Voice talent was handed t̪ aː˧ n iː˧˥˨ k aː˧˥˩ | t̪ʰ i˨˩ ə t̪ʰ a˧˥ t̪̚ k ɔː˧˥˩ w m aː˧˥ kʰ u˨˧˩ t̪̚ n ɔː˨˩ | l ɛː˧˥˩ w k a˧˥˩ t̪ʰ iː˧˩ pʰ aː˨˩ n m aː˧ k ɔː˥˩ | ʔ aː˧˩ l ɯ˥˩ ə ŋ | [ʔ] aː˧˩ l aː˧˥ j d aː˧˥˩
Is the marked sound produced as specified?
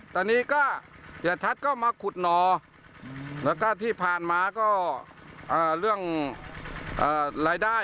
yes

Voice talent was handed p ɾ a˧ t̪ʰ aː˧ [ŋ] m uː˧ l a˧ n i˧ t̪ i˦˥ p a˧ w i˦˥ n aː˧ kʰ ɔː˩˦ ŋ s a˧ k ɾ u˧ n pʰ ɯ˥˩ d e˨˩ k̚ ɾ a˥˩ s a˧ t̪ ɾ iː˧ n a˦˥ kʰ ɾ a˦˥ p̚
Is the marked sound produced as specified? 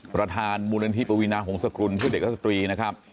no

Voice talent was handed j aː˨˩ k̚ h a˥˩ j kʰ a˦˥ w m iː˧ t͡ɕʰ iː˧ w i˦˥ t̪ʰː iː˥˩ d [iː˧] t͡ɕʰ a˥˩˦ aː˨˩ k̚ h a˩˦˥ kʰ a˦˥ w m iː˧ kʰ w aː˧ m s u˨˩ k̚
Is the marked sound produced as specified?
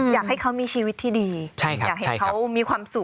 yes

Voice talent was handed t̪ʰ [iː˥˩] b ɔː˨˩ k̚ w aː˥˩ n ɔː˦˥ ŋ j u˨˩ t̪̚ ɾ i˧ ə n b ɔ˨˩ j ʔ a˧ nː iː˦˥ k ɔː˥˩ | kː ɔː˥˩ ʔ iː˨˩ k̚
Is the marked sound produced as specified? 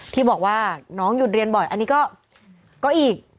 yes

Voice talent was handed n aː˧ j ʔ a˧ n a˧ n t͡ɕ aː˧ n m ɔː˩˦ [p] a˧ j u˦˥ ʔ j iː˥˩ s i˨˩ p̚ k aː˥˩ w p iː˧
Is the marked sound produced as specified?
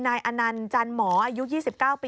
no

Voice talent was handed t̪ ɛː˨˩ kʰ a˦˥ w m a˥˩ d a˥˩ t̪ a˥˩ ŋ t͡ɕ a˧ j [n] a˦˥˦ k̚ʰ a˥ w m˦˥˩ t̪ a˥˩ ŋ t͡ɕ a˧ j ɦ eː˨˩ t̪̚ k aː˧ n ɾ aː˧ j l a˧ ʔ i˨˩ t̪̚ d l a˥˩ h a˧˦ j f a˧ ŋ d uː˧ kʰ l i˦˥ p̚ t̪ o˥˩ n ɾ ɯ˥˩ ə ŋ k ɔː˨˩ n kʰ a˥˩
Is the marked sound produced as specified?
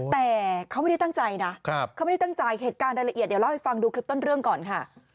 yes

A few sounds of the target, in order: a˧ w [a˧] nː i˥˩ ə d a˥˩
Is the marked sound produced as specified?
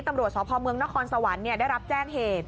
no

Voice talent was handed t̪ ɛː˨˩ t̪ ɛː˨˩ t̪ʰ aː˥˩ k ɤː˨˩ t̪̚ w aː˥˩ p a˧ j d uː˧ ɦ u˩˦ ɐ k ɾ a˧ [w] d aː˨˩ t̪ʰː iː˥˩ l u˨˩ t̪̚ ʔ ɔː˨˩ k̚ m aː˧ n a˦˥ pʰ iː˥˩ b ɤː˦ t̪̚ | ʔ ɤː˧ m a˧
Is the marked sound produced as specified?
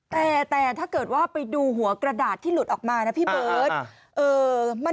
no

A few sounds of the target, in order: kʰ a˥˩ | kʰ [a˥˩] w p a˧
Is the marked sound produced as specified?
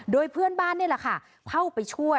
yes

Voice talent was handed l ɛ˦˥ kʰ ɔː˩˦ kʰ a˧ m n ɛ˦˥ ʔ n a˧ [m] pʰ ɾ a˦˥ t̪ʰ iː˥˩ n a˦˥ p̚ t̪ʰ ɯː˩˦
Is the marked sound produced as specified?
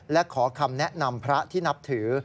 yes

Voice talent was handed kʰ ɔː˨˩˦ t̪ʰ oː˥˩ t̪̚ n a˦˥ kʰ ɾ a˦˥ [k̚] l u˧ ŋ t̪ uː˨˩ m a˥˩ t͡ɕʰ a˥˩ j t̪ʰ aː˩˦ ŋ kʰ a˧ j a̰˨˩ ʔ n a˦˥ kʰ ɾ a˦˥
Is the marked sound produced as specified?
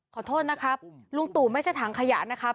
no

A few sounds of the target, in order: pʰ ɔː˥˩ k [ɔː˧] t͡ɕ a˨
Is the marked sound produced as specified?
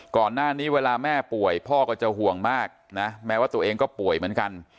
no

